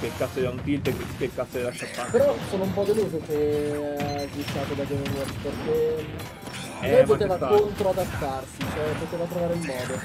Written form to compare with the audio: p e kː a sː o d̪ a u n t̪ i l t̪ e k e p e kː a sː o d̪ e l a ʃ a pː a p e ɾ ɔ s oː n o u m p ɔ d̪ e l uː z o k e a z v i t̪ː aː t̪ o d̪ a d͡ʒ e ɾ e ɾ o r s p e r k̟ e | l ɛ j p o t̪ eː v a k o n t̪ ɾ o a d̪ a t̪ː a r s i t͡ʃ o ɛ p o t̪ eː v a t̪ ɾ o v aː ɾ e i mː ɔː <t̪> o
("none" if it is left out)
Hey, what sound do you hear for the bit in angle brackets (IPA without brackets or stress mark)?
d̪